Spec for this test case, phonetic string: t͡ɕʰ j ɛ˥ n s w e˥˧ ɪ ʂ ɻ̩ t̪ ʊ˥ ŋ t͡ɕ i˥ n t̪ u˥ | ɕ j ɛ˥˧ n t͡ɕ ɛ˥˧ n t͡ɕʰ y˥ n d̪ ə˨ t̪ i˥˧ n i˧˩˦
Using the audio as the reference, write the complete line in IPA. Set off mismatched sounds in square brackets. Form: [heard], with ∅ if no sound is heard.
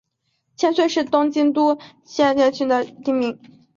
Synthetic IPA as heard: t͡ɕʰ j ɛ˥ n s w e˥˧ ɪ ʂ ɻ̩ t̪ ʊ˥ ŋ t͡ɕ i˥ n t̪ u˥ | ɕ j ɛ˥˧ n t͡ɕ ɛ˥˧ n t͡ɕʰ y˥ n d̪ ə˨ t̪ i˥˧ [m] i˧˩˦